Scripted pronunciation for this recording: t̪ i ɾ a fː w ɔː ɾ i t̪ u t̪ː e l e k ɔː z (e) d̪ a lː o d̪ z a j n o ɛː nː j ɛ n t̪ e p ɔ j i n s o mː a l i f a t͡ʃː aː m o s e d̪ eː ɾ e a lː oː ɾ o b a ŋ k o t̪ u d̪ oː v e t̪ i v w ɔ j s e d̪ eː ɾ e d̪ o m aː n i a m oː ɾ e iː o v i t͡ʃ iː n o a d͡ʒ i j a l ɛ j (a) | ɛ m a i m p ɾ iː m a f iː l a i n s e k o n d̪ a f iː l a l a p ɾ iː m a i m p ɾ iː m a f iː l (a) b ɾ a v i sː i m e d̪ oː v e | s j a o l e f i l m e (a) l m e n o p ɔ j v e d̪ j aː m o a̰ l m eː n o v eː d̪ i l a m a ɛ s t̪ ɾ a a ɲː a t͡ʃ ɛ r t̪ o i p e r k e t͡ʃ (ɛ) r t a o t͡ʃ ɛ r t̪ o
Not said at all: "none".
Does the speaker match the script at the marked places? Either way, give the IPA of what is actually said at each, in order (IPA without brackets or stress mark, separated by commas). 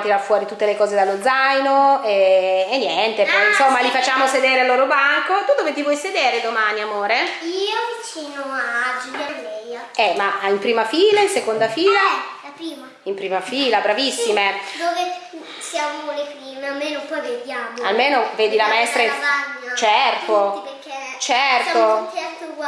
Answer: e, a, a, a, ɛ